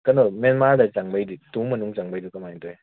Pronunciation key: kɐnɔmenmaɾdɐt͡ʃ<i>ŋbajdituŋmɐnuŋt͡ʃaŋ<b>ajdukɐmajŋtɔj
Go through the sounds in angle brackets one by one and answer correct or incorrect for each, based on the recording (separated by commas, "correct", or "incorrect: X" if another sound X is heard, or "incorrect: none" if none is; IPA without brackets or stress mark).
incorrect: a, correct